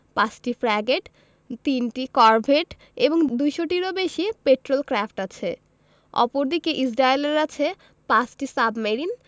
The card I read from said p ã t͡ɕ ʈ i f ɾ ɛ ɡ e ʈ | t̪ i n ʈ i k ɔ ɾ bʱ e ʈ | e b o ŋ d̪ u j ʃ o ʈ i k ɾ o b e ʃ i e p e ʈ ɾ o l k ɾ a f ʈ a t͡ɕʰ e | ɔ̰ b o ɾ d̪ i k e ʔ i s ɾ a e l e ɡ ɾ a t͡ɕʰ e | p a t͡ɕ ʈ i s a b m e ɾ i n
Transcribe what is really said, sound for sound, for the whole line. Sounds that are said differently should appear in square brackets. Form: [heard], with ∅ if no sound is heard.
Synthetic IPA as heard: p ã t͡ɕ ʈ i f ɾ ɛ ɡ e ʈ | t̪ i n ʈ i k ɔ ɾ bʱ e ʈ | e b o ŋ d̪ u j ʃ o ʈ i [∅] ɾ o b e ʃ i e p e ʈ ɾ o l k ɾ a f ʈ a t͡ɕʰ e | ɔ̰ [p] o ɾ d̪ i k e ʔ i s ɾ a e l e [∅] ɾ a t͡ɕʰ e | p a t͡ɕ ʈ i s a b m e ɾ i n

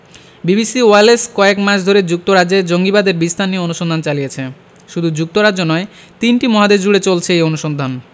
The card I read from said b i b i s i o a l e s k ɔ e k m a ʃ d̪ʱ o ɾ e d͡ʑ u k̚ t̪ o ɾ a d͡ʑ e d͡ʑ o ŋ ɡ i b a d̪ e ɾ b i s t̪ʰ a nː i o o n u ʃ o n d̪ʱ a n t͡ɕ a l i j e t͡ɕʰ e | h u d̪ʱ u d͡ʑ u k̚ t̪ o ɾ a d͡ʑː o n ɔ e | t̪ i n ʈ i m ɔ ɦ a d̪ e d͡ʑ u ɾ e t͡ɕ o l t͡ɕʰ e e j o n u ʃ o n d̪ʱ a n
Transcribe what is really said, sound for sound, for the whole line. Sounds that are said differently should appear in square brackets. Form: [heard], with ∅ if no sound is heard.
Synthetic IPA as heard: b i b i s i o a l e s k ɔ e k m a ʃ d̪ʱ o ɾ e d͡ʑ u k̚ t̪ o ɾ a d͡ʑ e d͡ʑ o ŋ ɡ i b a d̪ e ɾ b i s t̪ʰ a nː i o o n u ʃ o n d̪ʱ a n t͡ɕ a l i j e t͡ɕʰ e | [ʃ] u d̪ʱ u d͡ʑ u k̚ t̪ o ɾ a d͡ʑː o n ɔ e | t̪ i n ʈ i m ɔ ɦ a d̪ e d͡ʑ u [ɽ] e t͡ɕ o l t͡ɕʰ e e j o n u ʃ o n d̪ʱ a n

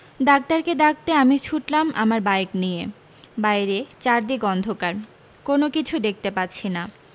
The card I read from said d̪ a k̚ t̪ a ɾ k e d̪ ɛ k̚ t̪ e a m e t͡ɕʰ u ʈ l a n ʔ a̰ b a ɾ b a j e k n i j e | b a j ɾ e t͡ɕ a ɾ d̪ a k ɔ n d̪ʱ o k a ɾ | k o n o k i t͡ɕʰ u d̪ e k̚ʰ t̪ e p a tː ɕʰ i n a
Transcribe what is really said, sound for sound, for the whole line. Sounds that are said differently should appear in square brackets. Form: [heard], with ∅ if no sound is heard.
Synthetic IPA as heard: d̪ a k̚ t̪ a ɾ k e d̪ [a] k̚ t̪ e a m [i] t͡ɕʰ u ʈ l a [m] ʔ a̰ [m] a ɾ b a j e k n i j e | b a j ɾ e t͡ɕ a ɾ d̪ [i] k ɔ n d̪ʱ o k a ɾ | k o n o k i t͡ɕʰ u d̪ e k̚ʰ t̪ e p a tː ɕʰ i n a

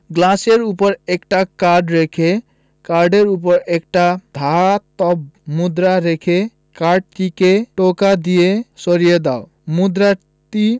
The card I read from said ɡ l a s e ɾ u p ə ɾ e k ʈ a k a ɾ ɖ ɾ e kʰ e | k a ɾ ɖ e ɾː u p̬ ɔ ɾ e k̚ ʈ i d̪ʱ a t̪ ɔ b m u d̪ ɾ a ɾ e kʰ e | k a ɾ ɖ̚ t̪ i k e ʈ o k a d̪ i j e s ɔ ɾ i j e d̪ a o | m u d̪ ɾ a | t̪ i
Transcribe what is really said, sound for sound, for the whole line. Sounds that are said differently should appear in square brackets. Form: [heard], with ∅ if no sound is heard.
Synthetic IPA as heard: ɡ l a s e ɾ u p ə ɾ e k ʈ a k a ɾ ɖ ɾ e kʰ e | k a ɾ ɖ e [ɾ] u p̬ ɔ ɾ e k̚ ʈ [a] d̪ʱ a t̪ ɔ b m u d̪ ɾ a ɾ e kʰ e | k a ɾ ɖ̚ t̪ i k e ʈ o k a d̪ i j e s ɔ ɾ i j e d̪ a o | m u d̪ ɾ a | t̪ i

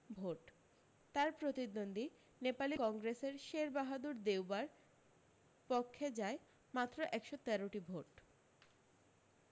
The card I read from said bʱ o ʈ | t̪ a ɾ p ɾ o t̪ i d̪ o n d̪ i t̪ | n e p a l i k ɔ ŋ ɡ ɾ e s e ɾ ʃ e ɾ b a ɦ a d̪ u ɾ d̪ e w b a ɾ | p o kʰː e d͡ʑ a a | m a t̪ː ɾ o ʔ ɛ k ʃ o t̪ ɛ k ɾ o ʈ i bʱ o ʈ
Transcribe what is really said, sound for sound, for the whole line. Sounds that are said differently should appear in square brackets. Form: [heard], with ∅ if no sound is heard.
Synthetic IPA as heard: bʱ o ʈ | t̪ a ɾ p ɾ o t̪ i d̪ o n d̪ i [∅] | n e p a l i k ɔ ŋ ɡ ɾ e s e ɾ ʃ e ɾ b a ɦ a d̪ u ɾ d̪ e w b a ɾ | p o kʰː e d͡ʑ a [e] | m a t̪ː ɾ o ʔ ɛ k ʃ o t̪ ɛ [∅] ɾ o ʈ i bʱ o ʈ

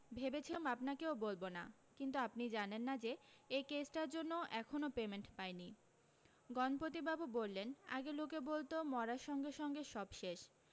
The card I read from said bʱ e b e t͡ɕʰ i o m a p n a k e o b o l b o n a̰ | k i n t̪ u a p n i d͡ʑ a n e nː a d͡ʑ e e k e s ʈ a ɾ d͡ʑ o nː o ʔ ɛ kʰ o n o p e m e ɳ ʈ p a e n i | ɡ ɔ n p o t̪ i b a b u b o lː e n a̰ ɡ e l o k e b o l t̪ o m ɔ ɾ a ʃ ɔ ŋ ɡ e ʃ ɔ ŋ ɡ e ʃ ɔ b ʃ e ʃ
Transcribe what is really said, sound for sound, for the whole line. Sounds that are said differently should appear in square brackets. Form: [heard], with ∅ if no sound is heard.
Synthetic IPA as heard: bʱ e b e t͡ɕʰ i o m a p n a k e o b o l b o n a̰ | k i n t̪ u a p n i d͡ʑ a n e nː a d͡ʑ e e k e s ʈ a ɾ d͡ʑ o nː o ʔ ɛ kʰ o n o p e m e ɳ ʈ p a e n i | ɡ ɔ n p o t̪ i b a b u b o lː e n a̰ ɡ e l o k e b o l t̪ o m ɔ ɾ a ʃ ɔ ŋ ɡ e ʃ ɔ ŋ ɡ e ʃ ɔ b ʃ e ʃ

